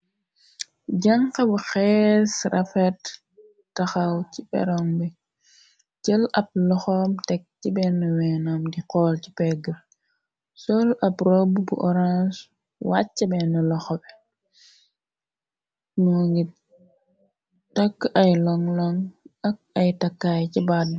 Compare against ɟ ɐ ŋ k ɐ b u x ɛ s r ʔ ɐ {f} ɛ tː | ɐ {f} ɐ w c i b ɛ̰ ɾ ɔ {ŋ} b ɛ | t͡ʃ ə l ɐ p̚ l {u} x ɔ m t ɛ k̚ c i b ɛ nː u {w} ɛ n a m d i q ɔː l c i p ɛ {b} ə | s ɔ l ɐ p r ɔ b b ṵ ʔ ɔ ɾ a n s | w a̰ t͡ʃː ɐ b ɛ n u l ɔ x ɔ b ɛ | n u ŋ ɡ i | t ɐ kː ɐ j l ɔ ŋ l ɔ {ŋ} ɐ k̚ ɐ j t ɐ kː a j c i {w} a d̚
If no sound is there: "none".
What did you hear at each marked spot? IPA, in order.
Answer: f, x, ŋ, ɔ, w, ɡ, ŋ, b

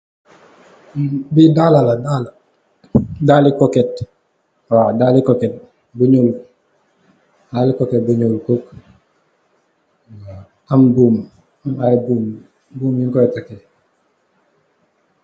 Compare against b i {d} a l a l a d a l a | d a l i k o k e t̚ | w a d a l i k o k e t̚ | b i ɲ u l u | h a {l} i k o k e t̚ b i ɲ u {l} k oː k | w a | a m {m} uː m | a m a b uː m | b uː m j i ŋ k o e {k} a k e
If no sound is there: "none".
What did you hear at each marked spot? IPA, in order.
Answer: d, l, l, b, t

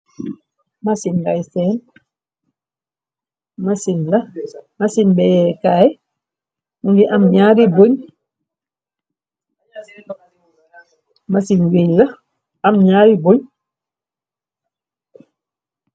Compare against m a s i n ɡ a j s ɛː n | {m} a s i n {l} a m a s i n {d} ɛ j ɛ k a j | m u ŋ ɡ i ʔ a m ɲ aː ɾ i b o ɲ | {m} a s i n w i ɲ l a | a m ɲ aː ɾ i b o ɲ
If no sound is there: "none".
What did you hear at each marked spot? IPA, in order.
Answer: m, l, b, m

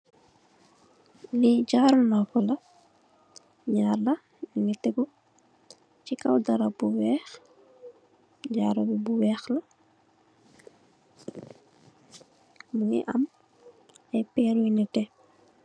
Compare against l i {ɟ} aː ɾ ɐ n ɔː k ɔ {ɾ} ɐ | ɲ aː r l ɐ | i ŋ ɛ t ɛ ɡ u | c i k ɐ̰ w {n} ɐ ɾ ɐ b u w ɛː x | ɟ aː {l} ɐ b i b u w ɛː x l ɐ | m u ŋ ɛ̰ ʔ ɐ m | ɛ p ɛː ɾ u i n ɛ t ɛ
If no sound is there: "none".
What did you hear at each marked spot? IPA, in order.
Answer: ɟ, l, d, ɾ

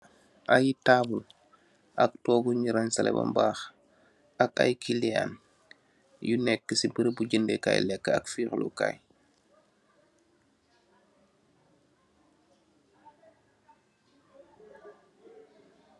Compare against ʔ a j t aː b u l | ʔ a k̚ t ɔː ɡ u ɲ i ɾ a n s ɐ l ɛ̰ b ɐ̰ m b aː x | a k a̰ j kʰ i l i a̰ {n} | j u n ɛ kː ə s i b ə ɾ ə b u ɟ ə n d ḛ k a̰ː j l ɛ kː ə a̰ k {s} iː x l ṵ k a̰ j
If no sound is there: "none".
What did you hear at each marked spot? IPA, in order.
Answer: n, f

